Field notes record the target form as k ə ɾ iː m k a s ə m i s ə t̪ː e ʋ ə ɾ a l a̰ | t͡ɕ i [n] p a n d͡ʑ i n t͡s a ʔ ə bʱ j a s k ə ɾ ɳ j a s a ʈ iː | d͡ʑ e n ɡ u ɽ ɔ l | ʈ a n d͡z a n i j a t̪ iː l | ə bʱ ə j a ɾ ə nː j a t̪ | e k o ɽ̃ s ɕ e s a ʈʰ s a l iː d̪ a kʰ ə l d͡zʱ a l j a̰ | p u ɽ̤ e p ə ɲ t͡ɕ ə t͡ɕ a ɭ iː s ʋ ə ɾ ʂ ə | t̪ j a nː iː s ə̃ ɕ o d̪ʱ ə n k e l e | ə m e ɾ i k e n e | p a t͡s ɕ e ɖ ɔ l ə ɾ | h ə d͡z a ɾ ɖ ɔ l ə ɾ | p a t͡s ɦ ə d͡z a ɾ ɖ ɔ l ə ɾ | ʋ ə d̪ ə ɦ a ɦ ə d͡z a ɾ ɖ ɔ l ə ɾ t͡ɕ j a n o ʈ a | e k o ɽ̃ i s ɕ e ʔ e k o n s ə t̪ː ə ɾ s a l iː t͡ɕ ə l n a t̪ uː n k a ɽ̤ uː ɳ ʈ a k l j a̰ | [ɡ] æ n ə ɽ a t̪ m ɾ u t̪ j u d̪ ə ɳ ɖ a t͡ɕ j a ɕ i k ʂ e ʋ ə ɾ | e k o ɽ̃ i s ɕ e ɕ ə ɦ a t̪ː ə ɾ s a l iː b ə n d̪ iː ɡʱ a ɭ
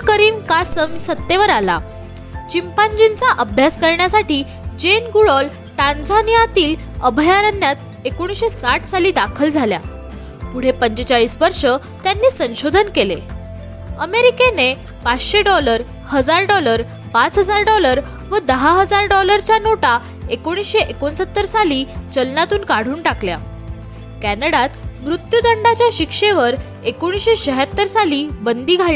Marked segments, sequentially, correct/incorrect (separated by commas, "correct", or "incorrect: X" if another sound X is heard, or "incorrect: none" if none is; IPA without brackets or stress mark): incorrect: m, incorrect: k